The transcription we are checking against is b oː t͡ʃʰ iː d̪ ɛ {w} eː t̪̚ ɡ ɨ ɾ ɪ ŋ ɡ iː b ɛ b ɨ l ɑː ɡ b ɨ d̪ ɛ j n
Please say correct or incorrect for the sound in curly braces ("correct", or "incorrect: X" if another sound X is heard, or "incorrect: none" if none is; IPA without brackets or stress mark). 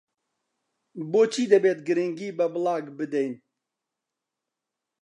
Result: incorrect: b